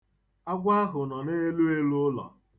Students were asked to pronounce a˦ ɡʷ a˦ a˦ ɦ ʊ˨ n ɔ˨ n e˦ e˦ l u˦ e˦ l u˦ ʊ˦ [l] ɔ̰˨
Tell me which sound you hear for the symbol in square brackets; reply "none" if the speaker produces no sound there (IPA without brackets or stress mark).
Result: l